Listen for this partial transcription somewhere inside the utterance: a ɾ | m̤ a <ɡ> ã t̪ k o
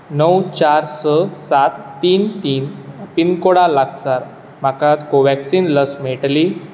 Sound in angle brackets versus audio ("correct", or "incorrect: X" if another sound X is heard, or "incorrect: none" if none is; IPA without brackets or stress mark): incorrect: k